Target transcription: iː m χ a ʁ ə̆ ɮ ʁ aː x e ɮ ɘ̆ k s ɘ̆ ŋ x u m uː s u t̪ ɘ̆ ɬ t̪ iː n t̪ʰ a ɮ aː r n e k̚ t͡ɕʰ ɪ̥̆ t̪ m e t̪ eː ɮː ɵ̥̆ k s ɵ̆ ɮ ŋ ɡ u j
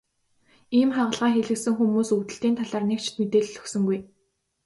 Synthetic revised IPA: iː m χ a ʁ ə̆ ɮ ʁ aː x e ɮ ɘ̆ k s ɘ̆ ŋ x u m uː s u t̪ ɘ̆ ɬ t̪ iː n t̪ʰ a ɮ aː r n e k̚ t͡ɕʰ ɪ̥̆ t̪ m e t̪ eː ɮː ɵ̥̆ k s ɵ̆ ŋ ɡ u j